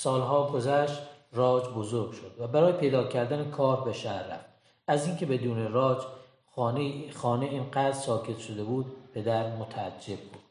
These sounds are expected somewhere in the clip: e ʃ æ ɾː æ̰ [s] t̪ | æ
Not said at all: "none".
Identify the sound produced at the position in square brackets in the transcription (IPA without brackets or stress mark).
f